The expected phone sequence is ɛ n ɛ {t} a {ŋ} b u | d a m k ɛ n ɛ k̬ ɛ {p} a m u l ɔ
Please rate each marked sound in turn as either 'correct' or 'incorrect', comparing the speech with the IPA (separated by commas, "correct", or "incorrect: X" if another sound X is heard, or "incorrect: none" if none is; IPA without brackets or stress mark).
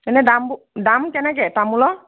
incorrect: d, incorrect: m, incorrect: t